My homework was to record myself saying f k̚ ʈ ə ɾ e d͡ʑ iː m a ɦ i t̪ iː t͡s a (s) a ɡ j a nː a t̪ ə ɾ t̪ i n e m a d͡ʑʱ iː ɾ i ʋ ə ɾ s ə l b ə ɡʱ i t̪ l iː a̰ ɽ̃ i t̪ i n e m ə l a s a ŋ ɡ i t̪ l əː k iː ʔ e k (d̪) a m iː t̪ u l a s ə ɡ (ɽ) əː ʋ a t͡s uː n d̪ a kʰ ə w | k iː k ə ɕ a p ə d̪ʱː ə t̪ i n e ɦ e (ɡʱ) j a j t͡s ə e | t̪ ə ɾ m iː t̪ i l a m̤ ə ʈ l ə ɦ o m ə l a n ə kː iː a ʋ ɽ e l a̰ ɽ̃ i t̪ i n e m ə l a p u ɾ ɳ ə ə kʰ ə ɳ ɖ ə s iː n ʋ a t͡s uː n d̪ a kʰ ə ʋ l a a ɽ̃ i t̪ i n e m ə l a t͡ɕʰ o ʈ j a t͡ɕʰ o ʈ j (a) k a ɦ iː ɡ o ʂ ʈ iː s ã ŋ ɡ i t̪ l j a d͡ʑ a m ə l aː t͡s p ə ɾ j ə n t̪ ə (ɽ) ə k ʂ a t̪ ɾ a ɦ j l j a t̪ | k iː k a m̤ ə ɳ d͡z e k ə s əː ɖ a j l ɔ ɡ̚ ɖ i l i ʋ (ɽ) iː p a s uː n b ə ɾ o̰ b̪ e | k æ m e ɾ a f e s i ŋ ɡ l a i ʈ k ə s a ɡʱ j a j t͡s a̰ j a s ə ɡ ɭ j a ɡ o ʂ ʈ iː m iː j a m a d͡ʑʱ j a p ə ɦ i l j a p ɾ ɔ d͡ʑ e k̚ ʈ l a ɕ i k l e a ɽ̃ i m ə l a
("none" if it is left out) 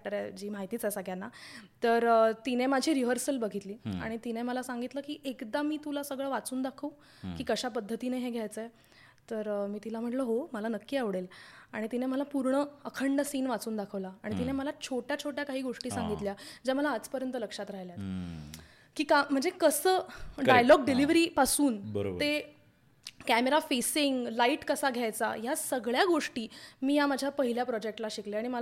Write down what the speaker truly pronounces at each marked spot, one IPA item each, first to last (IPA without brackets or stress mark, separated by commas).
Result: s, d̪, ɭ, ɡʱ, a, l, ɾ